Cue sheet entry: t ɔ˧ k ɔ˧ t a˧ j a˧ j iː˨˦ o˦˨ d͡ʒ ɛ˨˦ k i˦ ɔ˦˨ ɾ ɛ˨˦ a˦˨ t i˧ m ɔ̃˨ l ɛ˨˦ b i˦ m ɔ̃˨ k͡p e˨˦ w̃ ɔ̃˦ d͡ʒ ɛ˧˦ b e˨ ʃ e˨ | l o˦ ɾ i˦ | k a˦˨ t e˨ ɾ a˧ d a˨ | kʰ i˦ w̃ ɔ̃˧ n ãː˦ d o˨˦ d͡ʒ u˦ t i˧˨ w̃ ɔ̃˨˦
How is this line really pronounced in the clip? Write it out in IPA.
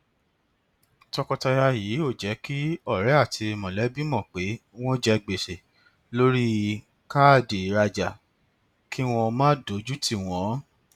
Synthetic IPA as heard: t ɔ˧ k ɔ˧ t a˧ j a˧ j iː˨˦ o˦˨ d͡ʒ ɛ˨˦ k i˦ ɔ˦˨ ɾ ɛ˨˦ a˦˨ t i˧ m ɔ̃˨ l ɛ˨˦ b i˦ m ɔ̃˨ k͡p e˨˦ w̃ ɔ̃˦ d͡ʒ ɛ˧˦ ɡ͡b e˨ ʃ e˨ | l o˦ ɾ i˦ | k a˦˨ d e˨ ɾ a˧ d͡ʒ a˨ | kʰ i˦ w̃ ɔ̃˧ m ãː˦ d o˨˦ d͡ʒ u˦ t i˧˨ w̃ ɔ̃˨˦